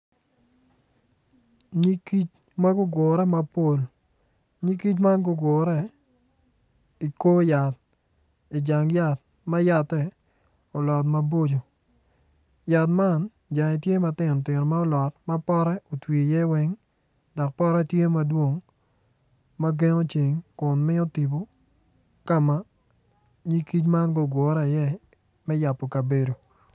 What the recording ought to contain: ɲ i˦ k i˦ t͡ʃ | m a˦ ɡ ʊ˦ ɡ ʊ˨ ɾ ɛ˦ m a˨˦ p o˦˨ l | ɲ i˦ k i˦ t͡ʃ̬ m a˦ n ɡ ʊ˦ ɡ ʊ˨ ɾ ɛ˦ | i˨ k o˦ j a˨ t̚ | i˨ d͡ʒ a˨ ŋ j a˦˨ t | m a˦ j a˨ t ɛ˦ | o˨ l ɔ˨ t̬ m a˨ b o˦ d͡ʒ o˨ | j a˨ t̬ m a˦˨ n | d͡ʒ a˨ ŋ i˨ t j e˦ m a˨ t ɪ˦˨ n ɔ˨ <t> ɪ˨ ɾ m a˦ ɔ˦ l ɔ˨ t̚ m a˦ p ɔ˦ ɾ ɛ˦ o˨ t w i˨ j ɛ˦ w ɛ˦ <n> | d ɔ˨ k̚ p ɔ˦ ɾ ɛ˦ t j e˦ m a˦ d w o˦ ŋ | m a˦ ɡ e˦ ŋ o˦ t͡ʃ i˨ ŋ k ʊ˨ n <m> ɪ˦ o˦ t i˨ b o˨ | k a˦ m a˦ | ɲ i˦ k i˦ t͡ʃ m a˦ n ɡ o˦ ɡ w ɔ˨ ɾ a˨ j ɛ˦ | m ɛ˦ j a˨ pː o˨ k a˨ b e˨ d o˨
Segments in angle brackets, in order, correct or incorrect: correct, incorrect: ŋ, correct

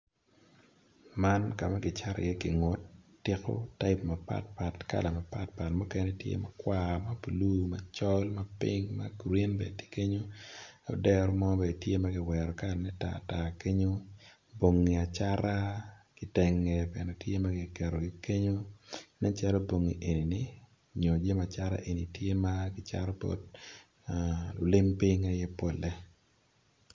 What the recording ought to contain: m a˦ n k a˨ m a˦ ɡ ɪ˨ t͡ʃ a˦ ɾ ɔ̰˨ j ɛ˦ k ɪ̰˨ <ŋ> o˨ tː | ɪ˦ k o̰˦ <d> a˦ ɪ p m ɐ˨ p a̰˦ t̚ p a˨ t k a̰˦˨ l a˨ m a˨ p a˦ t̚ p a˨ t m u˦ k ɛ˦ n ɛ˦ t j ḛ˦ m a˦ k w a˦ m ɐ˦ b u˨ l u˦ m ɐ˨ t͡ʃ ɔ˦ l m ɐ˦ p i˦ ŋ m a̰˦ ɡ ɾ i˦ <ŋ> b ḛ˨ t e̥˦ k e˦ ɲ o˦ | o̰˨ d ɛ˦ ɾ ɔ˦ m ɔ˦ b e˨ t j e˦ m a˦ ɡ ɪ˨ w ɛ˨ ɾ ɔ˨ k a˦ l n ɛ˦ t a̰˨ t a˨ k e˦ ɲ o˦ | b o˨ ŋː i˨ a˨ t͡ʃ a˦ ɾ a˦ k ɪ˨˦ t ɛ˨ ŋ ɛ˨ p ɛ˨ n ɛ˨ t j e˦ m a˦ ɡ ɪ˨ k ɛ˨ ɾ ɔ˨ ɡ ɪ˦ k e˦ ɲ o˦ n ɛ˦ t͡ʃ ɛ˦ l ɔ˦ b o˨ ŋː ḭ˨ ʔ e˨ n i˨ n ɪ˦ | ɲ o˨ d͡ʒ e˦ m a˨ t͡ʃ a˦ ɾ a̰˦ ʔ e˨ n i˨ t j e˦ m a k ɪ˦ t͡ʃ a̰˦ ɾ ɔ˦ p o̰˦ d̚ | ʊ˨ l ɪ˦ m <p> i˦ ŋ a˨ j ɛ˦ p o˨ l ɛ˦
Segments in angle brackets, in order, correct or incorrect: correct, incorrect: t, incorrect: n, correct

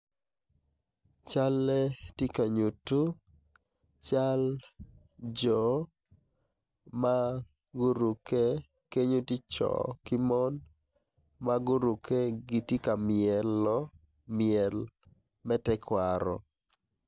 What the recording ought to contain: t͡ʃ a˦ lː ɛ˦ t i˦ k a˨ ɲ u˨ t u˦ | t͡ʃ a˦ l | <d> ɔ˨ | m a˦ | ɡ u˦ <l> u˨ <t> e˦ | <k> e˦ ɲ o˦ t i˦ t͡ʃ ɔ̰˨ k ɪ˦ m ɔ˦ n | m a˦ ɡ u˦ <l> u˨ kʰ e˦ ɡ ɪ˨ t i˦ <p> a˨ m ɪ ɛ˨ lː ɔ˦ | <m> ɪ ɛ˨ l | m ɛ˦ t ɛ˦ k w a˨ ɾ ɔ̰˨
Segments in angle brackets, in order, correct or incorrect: incorrect: d͡ʒ, incorrect: ɾ, incorrect: k, correct, incorrect: ɾ, incorrect: k, correct

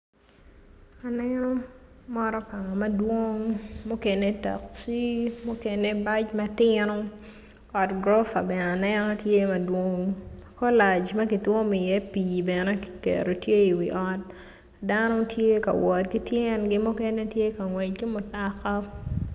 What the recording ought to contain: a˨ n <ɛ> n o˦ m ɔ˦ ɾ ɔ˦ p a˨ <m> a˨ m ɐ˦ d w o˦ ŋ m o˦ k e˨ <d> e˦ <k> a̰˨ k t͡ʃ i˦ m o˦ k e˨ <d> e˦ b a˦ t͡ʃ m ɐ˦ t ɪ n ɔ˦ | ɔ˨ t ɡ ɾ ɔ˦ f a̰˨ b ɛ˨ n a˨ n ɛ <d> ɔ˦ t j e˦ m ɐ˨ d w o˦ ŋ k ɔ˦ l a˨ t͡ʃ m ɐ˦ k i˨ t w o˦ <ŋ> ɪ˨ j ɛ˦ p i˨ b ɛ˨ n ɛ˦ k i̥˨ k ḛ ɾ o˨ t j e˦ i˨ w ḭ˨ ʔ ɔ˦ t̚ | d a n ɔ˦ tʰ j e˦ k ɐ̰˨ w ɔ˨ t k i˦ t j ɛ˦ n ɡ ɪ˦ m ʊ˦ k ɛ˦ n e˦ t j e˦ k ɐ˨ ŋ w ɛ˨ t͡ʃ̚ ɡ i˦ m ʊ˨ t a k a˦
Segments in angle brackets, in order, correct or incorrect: correct, incorrect: ŋ, incorrect: n, incorrect: t, incorrect: n, incorrect: n, incorrect: m

